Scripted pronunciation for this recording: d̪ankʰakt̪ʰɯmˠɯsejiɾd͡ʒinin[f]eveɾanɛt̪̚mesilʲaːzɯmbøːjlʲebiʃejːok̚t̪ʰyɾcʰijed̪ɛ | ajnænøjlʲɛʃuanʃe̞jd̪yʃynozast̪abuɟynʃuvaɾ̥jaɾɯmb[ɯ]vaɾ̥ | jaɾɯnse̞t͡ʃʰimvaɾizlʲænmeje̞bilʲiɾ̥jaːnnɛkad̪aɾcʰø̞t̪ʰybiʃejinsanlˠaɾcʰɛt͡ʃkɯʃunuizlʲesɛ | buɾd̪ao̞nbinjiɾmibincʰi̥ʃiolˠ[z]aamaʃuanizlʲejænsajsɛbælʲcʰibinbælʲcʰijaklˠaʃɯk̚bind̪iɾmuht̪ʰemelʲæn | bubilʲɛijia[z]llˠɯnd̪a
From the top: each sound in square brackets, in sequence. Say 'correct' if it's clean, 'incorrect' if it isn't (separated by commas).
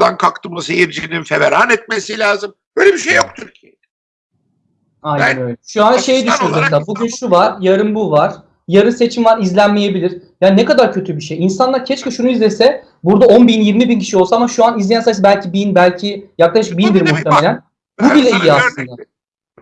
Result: correct, incorrect, incorrect, incorrect